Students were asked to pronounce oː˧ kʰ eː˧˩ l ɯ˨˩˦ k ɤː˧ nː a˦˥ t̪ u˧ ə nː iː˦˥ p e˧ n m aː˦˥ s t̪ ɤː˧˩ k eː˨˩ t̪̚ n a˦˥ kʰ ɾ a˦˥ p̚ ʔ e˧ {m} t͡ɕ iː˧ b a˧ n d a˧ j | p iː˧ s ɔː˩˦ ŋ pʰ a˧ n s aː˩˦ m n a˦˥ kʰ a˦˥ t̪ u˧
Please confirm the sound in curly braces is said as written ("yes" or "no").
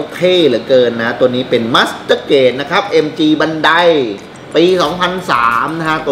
yes